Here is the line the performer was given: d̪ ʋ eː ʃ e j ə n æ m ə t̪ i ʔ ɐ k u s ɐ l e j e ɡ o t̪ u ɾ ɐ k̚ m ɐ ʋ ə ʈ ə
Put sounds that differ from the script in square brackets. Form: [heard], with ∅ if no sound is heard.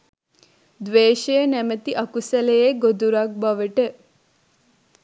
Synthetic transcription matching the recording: d̪ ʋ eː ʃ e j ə n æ m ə t̪ i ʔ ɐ k u s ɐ l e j e ɡ o [d̪] u ɾ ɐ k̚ [b] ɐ ʋ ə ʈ ə